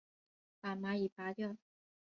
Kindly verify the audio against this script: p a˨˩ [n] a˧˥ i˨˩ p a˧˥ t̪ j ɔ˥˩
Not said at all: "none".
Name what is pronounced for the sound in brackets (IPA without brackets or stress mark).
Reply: m